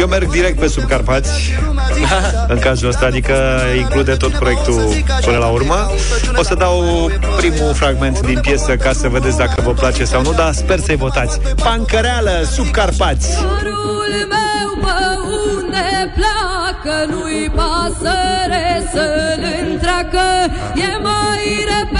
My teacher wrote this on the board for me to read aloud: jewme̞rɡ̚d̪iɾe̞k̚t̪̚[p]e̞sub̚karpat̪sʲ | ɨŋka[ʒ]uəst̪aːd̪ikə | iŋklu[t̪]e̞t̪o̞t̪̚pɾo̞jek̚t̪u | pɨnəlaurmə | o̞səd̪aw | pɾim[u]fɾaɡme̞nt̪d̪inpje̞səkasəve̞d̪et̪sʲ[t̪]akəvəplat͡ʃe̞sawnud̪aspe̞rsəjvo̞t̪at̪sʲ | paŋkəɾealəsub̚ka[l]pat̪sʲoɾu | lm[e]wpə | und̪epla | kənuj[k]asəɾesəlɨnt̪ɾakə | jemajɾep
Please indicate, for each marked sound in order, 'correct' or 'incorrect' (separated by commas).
correct, incorrect, incorrect, correct, incorrect, incorrect, correct, incorrect